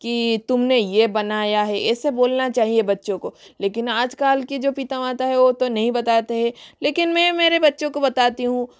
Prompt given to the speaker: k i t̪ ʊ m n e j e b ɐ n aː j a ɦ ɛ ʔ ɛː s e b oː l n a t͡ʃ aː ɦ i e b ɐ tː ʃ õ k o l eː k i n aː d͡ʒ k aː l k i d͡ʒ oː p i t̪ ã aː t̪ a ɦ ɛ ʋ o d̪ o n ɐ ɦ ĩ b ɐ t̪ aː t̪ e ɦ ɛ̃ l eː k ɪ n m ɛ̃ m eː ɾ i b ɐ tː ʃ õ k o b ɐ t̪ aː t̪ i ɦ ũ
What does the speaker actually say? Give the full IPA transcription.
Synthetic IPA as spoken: k i t̪ ʊ m n e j e b ɐ n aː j a ɦ ɛ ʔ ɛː s e b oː l n a t͡ʃ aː ɦ i e b ɐ tː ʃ õ k o l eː k ɪ n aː d͡ʒ k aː l k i d͡ʒ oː p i t̪ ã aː t̪ a ɦ ɛ ʋ o t̪ o n ɐ ɦ ĩ b ɐ t̪ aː t̪ e ɦ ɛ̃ l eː k ɪ n m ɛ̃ m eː ɾ e b ɐ tː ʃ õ k o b ɐ t̪ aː t̪ i ɦ ũ

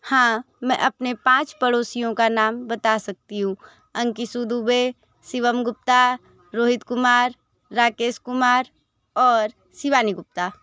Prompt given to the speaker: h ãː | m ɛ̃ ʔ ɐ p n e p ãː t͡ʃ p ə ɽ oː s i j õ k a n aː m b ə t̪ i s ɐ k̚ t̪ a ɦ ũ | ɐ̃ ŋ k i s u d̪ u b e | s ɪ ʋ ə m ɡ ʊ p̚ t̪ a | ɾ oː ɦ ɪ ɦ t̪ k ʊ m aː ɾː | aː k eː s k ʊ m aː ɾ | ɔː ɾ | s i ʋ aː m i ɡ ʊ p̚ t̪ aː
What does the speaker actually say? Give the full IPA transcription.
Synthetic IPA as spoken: h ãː | m ɛ̃ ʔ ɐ p n e p ãː t͡ʃ p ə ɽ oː s i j õ k a n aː m b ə t̪ a s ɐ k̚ t̪ i ɦ ũ | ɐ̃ ŋ k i s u d̪ u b e | s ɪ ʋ ə m ɡ ʊ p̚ t̪ a | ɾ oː ɦ ɪ t̪ k ʊ m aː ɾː | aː k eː s k ʊ m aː ɾ | ɔː ɾ | s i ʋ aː n i ɡ ʊ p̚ t̪ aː

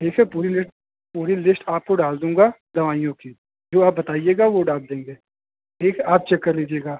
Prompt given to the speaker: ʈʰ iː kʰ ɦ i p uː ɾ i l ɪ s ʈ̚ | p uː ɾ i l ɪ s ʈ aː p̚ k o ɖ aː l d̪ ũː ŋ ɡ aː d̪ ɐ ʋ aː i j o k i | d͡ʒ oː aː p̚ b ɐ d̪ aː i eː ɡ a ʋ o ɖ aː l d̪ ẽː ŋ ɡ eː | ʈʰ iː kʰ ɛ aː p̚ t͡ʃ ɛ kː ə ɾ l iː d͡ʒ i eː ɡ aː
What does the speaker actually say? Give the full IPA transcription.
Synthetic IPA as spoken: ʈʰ iː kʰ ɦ ɛ p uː ɾ i l ɪ s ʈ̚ | p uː ɾ i l ɪ s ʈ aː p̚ k o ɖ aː l d̪ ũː ŋ ɡ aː d̪ ɐ ʋ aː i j õ k i | d͡ʒ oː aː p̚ b ɐ t̪ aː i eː ɡ a ʋ o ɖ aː l d̪ ẽː ŋ ɡ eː | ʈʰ iː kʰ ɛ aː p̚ t͡ʃ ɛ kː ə ɾ l iː d͡ʒ i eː ɡ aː

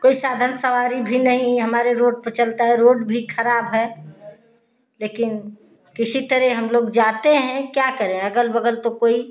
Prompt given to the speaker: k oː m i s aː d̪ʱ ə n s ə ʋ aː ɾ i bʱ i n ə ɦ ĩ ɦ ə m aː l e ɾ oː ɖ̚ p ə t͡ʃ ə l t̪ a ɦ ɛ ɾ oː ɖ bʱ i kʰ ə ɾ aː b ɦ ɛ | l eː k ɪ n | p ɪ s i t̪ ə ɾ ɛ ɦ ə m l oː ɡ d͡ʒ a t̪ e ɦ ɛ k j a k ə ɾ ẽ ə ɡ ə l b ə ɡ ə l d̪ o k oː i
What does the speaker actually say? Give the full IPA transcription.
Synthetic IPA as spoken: k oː i s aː d̪ʱ ə n s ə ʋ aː ɾ i bʱ i n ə ɦ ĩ ɦ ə m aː ɾ e ɾ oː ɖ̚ p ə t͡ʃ ə l t̪ a ɦ ɛ ɾ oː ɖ bʱ i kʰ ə ɾ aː b ɦ ɛ | l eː k ɪ n | k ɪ s i t̪ ə ɾ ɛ ɦ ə m l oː ɡ d͡ʒ a t̪ e ɦ ɛ̃ k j a k ə ɾ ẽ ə ɡ ə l b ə ɡ ə l t̪ o k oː i

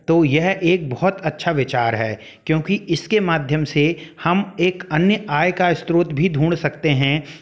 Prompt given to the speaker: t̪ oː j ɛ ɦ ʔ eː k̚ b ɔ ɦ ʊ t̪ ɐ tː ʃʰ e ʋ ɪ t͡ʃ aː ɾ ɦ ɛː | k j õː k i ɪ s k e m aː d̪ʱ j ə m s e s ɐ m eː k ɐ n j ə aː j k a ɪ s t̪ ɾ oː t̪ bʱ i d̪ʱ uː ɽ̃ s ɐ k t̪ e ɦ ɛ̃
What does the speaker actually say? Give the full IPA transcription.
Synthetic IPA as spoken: t̪ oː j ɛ ɦ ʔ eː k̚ b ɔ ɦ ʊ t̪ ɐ tː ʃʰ a ʋ ɪ t͡ʃ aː ɾ ɦ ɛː | k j õː k i ɪ s k e m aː d̪ʱ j ə m s e h ɐ m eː k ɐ n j ə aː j k a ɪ s t̪ ɾ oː t̪ bʱ i d̪ʱ uː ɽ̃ s ɐ k t̪ e ɦ ɛ̃

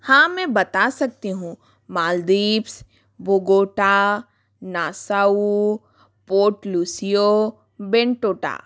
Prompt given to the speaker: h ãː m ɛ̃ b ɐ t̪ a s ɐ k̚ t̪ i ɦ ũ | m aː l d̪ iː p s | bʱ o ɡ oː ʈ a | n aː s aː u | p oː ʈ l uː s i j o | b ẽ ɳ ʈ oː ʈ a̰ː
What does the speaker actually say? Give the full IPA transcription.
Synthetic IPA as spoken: h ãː m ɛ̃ b ɐ t̪ a s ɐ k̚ t̪ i ɦ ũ | m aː l d̪ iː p s | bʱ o ɡ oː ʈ a | n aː s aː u | p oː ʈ l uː s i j o | b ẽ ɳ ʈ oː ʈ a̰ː

